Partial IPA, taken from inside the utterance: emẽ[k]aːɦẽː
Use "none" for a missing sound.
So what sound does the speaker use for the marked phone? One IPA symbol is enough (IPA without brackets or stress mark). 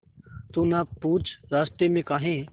k